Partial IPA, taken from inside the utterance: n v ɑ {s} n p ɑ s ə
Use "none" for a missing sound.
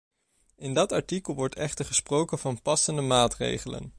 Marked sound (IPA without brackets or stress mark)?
none